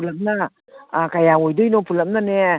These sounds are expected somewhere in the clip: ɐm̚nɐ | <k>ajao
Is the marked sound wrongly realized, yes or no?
no